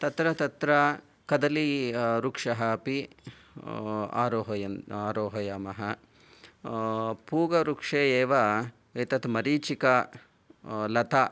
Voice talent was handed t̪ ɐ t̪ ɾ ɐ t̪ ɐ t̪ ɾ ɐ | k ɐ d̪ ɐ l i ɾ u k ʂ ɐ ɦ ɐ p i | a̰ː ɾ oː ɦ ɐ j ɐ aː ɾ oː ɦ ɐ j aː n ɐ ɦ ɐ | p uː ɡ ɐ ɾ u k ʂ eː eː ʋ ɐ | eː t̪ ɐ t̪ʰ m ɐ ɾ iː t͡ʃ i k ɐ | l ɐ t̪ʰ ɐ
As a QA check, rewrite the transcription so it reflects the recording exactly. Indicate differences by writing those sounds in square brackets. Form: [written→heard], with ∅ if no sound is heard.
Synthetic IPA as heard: t̪ ɐ t̪ ɾ ɐ t̪ ɐ t̪ ɾ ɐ | k ɐ d̪ ɐ l i ɾ u k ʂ ɐ ɦ ɐ p i | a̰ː ɾ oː ɦ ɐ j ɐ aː ɾ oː ɦ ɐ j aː [n→m] ɐ ɦ ɐ | p uː ɡ ɐ ɾ u k ʂ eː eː ʋ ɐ | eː t̪ ɐ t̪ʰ m ɐ ɾ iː t͡ʃ i k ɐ | l ɐ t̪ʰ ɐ